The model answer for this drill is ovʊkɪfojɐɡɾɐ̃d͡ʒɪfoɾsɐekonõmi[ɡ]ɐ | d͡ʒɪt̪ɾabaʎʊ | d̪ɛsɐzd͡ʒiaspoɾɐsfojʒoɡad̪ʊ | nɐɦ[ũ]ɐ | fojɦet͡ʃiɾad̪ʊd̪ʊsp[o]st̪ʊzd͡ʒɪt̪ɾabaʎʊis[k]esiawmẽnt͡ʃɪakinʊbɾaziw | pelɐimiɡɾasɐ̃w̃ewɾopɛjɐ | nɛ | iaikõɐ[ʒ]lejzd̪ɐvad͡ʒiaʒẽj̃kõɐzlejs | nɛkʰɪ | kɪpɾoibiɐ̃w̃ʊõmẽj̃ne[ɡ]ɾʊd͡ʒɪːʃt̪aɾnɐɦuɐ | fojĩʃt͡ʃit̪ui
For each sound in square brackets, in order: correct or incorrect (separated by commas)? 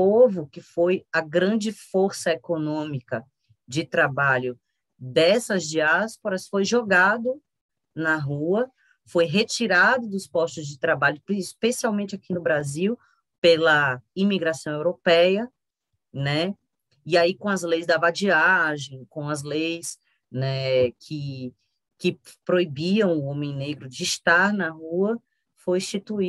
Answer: incorrect, incorrect, incorrect, incorrect, incorrect, correct